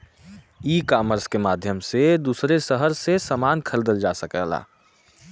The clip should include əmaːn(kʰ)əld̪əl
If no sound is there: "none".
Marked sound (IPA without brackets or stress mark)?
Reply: kʰ